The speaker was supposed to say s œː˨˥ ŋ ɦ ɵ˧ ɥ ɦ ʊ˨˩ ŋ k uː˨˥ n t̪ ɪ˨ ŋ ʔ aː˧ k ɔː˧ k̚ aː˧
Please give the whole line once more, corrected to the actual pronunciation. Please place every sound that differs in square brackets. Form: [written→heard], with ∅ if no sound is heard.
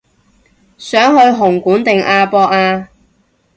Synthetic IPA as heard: s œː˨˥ ŋ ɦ ɵ˧ ɥ ɦ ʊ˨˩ ŋ k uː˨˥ n t̪ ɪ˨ ŋ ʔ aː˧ [k→p] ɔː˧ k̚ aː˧